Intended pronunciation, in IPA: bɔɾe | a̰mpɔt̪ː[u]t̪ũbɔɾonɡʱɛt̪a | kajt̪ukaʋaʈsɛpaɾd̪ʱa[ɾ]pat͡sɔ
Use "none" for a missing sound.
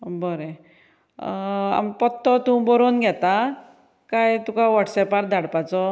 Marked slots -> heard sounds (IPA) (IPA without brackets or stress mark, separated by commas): ɔ, ɽ